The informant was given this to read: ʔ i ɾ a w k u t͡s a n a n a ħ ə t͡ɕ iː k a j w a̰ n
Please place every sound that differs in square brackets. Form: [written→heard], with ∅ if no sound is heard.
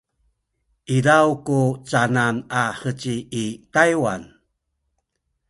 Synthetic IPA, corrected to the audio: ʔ i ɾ a w k u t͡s a n a n a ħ ə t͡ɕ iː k a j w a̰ n